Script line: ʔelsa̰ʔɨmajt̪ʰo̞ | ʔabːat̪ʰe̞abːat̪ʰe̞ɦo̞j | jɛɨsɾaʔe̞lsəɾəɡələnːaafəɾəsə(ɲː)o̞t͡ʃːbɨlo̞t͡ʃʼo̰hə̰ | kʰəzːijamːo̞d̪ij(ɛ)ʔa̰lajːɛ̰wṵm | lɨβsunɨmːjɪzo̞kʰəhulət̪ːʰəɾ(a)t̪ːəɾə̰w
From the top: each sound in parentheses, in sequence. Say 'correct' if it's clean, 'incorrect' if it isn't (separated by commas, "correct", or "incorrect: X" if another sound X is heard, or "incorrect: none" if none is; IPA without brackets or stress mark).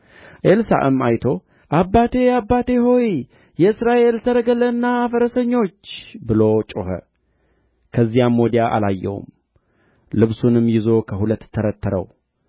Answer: correct, incorrect: a, incorrect: ə